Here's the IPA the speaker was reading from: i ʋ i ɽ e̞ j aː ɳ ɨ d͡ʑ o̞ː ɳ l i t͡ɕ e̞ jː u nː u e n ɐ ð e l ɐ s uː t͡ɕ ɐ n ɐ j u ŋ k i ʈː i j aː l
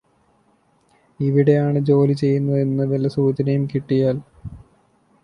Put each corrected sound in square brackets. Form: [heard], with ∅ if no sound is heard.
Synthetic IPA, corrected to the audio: i ʋ i ɽ e̞ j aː ɳ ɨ d͡ʑ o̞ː [∅] l i t͡ɕ e̞ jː u nː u e [nː] ɐ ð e l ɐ s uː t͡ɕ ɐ n ɐ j u [m] k i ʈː i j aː l